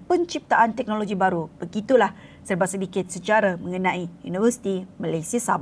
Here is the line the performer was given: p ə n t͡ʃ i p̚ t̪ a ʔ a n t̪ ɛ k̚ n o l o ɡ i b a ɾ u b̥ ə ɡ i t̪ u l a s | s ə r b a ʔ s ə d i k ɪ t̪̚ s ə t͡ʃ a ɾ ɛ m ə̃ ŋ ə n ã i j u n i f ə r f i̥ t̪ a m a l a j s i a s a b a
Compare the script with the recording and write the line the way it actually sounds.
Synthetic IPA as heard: p ə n t͡ʃ i p̚ t̪ a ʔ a n t̪ ɛ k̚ n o l o ɡ i b a ɾ u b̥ ə ɡ i t̪ u l a h | s ə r b a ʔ s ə d i k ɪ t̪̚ s ə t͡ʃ a ɾ a m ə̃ ŋ ə n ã i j u n i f ə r s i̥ t̪ i m a l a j s i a s a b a